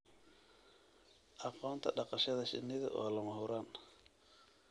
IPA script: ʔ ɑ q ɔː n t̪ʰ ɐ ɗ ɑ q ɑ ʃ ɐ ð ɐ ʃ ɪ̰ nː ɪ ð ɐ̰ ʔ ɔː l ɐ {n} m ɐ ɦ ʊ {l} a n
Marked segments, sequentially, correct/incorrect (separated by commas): incorrect, incorrect